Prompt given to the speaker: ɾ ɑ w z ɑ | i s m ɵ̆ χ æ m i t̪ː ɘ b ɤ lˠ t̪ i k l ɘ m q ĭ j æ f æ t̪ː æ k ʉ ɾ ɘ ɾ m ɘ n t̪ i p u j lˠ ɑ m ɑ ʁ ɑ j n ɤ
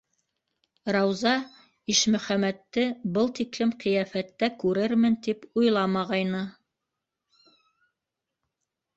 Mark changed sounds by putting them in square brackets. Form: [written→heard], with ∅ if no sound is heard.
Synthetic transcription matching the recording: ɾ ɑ w z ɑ | i [s→ʃ] m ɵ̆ χ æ m [i→æ] t̪ː ɘ b ɤ lˠ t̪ i k l ɘ m q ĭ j æ f æ t̪ː æ k ʉ ɾ ɘ ɾ m ɘ n t̪ i p u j lˠ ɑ m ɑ ʁ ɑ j n ɤ

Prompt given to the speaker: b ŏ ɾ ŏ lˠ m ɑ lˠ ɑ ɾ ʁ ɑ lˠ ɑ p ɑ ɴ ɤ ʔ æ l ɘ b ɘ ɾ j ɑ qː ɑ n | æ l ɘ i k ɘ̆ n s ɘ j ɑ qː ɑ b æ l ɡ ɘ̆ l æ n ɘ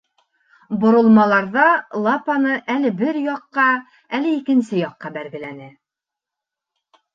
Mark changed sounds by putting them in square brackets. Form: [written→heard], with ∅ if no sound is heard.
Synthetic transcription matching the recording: b ŏ ɾ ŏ lˠ m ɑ lˠ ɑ ɾ [ʁ→ð] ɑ lˠ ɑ p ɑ [ɴ→n] ɤ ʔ æ l ɘ b ɘ ɾ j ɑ qː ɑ [n→∅] | æ l ɘ i k ɘ̆ n s ɘ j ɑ qː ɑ b æ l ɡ ɘ̆ l æ n ɘ

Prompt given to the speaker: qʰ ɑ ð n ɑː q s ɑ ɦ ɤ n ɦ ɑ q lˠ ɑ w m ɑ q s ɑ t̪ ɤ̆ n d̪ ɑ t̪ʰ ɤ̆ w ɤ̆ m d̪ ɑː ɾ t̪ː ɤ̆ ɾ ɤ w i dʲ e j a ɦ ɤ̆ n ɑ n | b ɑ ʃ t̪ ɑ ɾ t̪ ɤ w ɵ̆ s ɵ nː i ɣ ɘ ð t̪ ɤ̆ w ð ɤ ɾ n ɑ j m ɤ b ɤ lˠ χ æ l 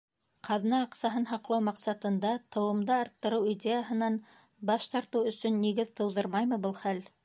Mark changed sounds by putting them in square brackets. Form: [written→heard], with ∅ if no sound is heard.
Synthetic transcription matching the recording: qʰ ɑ ð n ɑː q s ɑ ɦ ɤ n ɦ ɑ q lˠ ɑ w m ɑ q s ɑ t̪ ɤ̆ n d̪ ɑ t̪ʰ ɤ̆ w ɤ̆ m d̪ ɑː ɾ t̪ː ɤ̆ ɾ ɤ w i dʲ e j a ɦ ɤ̆ n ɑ n | b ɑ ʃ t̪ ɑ ɾ t̪ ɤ w ɵ̆ s ɵ nː i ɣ ɘ ð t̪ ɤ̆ w ð ɤ ɾ [n→m] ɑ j m ɤ b ɤ lˠ χ æ l

